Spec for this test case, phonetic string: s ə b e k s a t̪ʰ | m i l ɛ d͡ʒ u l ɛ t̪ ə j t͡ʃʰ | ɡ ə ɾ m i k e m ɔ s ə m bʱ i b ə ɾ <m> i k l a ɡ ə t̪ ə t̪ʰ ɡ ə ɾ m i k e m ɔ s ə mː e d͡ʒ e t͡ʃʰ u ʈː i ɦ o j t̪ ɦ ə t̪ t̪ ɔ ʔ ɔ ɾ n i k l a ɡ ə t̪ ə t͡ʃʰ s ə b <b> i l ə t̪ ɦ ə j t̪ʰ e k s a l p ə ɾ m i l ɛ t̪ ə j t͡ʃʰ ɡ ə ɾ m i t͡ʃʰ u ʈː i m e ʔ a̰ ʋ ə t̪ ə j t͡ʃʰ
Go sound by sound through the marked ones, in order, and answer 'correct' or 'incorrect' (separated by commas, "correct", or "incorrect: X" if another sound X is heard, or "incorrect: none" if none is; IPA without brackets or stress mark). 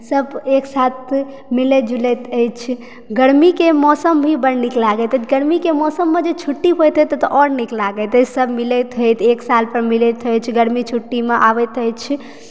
incorrect: n, incorrect: m